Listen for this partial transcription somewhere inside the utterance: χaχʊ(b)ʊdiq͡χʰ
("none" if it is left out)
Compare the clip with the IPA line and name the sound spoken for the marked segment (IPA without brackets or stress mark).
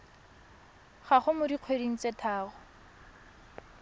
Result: m